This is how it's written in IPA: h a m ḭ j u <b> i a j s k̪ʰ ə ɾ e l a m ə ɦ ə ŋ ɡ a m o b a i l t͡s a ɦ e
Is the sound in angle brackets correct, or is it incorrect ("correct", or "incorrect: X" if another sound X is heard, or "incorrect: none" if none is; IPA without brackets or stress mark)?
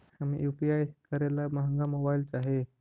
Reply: incorrect: p